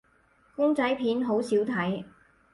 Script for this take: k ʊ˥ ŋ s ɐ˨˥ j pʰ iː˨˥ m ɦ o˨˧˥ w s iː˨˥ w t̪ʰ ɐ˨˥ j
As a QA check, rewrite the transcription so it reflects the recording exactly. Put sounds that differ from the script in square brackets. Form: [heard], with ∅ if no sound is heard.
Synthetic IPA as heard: k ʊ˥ ŋ [t͡s] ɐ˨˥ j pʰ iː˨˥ [n] ɦ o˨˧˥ w s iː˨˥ w t̪ʰ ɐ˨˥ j